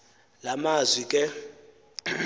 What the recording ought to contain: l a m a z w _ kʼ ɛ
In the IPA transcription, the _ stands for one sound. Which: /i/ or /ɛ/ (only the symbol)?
i